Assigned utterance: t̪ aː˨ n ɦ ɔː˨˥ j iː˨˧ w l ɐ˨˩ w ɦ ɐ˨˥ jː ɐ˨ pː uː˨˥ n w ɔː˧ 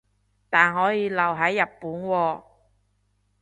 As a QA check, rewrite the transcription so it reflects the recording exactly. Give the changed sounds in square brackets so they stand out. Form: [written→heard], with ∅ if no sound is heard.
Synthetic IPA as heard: t̪ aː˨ n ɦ ɔː˨˥ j iː˨˧ [w→∅] l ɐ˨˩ w ɦ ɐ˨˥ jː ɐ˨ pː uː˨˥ n w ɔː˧